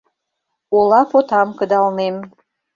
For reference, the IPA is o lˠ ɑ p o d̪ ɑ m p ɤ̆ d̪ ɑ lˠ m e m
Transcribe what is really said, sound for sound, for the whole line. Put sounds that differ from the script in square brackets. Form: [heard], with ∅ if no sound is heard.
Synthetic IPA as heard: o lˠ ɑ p o [t̪] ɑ m [k] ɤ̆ d̪ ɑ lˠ [n] e m